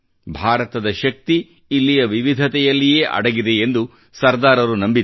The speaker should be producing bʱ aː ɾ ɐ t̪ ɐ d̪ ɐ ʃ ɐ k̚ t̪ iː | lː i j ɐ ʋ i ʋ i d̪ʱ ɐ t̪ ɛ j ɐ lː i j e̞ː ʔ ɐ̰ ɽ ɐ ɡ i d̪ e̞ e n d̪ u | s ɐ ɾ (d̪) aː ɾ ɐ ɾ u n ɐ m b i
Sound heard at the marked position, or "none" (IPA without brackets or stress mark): d̪